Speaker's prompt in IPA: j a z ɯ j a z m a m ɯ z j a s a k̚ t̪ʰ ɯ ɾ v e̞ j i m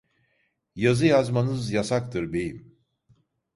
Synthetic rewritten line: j a z ɯ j a z m a n ɯ z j a s a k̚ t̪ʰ ɯ ɾ b e̞ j i m